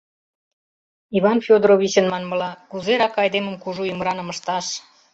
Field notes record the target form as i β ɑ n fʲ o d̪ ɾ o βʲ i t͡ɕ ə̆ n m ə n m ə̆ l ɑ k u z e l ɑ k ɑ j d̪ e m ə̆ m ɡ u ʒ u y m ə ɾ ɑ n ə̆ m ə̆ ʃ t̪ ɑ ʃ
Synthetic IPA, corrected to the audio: i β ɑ n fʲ o d̪ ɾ o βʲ i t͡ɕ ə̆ n m ɑ n m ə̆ l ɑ k u z e ɾ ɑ k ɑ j d̪ e m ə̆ m k u ʒ u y m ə ɾ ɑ n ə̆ m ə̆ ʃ t̪ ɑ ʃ